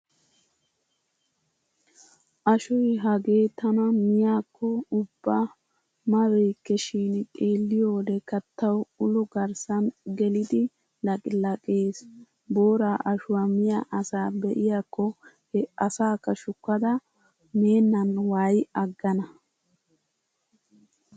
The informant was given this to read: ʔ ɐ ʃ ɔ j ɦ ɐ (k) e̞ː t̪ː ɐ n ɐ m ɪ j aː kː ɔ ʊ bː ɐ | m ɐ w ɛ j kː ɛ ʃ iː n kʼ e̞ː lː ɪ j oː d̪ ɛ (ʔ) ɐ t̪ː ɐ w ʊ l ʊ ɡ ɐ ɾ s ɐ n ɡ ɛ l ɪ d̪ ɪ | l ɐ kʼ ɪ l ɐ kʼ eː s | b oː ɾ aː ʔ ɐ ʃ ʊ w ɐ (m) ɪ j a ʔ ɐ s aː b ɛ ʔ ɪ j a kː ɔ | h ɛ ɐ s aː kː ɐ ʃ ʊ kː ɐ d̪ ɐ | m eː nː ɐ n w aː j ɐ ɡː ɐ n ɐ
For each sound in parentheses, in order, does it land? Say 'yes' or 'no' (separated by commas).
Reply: no, no, yes